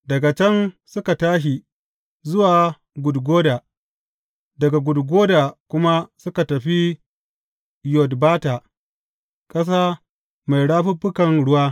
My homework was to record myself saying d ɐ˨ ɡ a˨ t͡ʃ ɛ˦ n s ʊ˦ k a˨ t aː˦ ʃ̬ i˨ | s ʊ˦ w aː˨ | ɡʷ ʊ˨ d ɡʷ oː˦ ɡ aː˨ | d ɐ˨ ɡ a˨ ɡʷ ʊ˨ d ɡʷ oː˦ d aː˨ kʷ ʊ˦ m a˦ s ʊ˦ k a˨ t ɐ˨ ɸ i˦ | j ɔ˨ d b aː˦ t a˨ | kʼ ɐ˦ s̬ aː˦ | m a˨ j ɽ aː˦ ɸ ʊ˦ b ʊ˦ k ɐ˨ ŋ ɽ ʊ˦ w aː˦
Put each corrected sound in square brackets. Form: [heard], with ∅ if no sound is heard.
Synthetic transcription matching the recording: d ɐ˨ ɡ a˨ t͡ʃ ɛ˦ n s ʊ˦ k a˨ t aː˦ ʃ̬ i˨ | [z] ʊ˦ w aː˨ | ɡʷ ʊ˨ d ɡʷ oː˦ [d] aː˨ | d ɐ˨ ɡ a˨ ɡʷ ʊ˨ d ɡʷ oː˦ d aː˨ kʷ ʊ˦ m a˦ s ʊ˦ k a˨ t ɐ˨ ɸ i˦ | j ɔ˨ d b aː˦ t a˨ | kʼ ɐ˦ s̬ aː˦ | m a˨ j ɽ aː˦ ɸ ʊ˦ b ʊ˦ k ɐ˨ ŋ ɽ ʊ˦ w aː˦

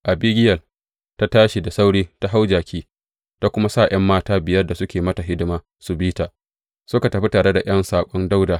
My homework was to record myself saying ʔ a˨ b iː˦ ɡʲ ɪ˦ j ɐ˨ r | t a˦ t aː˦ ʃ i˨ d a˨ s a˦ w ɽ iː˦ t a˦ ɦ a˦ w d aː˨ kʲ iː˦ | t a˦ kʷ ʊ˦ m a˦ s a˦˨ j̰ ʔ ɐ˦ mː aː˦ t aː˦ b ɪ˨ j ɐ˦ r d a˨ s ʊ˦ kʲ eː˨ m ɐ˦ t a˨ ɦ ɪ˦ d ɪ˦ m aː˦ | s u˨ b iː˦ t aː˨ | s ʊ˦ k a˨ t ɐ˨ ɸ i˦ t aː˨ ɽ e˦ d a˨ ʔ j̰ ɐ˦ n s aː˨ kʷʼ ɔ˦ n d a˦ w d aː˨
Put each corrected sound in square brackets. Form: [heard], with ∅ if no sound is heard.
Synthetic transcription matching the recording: ʔ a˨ b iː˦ ɡʲ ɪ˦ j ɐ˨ [l] | t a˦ t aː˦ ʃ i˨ d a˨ s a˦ w ɽ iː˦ t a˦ ɦ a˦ w [d͡ʒ] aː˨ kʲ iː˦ | t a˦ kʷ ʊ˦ m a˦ s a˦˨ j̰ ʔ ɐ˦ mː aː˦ t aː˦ b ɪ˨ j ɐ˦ r d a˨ s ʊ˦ kʲ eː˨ m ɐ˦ t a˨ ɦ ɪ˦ d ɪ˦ m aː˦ | s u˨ b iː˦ t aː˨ | s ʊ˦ k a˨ t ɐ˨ ɸ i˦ t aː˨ ɽ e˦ d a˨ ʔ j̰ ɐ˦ n s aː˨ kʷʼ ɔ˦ n d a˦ w d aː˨

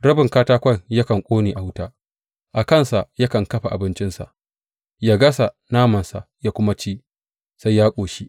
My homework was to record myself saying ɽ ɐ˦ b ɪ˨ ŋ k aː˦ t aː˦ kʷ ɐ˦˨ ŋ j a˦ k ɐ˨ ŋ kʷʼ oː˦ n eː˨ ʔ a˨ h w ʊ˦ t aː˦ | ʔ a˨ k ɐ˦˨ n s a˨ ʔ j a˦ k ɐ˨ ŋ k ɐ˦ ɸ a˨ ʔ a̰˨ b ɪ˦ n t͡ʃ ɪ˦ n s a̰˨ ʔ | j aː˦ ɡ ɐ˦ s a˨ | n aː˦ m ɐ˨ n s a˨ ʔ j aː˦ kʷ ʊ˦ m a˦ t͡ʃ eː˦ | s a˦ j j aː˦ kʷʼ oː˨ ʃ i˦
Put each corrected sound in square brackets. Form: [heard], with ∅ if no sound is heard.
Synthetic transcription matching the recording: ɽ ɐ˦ b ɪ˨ ŋ k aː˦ t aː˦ kʷ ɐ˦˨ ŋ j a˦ k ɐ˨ ŋ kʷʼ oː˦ n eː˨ ʔ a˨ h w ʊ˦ t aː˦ | ʔ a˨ k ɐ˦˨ n s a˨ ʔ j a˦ k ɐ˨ ŋ k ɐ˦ ɸ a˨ ʔ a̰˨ b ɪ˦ n t͡ʃ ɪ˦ n s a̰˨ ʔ | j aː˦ ɡ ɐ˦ s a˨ | n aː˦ m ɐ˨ n s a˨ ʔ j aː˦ kʷ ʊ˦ m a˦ t͡ʃ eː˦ | s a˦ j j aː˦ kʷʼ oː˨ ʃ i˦

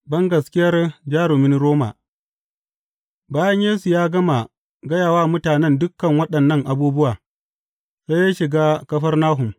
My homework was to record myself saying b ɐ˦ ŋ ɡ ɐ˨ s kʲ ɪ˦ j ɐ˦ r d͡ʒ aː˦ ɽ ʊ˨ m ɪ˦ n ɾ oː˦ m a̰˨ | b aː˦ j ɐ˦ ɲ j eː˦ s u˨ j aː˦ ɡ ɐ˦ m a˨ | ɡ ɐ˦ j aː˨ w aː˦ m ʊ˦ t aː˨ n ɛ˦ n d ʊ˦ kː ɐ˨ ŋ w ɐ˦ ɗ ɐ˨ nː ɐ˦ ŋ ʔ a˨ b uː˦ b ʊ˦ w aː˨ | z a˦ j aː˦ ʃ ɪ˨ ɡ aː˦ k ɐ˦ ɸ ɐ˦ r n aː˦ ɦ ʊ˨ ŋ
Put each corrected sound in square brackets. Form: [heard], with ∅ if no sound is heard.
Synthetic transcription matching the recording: b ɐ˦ ŋ ɡ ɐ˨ s kʲ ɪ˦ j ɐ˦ r d͡ʒ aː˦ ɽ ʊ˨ m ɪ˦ n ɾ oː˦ m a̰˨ | b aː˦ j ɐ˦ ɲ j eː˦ s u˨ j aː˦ ɡ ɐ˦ m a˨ | ɡ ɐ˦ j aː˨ w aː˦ m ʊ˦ t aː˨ n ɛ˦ n d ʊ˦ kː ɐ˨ ŋ w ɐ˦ ɗ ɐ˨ nː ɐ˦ ŋ ʔ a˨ b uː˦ b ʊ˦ w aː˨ | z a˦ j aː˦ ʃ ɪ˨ ɡ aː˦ k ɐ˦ ɸ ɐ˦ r n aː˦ ɦ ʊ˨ [m]

